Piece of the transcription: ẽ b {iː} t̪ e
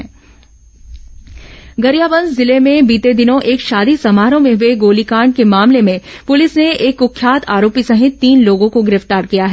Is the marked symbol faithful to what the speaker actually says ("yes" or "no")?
yes